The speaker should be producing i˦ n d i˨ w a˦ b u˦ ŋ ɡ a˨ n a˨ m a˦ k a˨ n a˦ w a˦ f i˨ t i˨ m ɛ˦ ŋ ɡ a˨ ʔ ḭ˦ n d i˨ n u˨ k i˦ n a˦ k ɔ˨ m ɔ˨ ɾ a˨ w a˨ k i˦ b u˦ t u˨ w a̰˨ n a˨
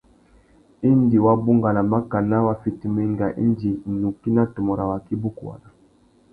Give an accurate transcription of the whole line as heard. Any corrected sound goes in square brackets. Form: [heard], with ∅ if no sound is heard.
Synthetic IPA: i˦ n d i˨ w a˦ b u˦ ŋ ɡ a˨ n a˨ m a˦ k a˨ n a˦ w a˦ f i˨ t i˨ m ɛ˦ ŋ ɡ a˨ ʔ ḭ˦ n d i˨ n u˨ k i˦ n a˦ [t] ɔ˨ m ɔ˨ ɾ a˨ w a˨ k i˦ b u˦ [k] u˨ w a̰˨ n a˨